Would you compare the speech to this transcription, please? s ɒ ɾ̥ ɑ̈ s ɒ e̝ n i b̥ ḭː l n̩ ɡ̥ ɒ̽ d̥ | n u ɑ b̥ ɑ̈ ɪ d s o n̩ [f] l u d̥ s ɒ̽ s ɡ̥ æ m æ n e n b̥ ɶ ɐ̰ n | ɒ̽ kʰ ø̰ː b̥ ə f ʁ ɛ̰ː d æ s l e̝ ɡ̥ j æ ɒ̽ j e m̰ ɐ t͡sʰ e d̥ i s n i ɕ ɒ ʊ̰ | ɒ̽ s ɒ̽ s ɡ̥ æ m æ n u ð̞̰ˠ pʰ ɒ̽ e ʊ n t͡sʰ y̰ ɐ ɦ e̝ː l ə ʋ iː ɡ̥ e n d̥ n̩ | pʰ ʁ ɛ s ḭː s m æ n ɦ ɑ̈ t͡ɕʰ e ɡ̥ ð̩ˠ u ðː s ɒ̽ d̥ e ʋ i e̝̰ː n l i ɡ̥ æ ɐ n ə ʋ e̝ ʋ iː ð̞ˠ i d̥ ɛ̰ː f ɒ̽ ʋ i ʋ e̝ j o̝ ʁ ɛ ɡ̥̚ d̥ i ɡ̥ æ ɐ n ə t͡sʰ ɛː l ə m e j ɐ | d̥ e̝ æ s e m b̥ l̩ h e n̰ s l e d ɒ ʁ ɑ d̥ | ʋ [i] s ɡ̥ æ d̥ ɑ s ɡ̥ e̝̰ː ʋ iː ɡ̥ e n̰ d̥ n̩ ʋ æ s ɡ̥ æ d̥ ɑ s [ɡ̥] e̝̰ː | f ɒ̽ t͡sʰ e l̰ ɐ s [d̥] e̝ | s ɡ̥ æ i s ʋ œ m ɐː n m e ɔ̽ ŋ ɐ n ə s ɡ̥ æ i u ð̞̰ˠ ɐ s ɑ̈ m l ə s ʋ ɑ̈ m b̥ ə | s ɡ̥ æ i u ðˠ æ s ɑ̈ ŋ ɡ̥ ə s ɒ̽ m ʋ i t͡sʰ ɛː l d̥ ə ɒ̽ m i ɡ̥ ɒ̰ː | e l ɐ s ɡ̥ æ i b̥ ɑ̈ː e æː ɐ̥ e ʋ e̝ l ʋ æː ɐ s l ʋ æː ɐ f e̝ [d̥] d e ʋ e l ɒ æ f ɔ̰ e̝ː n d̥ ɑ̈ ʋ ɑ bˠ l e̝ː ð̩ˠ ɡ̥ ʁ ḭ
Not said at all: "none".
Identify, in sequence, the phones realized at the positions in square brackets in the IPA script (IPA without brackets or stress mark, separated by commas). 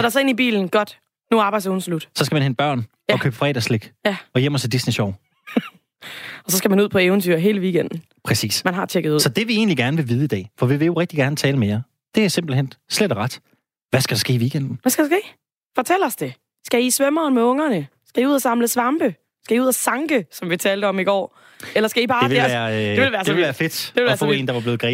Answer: s, æ, ɡ̥, d̥, d̥